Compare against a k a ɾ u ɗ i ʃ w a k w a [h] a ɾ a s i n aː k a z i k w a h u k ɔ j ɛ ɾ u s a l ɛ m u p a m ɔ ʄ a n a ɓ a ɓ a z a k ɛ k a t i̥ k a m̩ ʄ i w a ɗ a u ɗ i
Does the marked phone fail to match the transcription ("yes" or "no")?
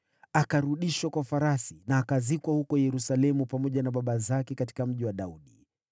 yes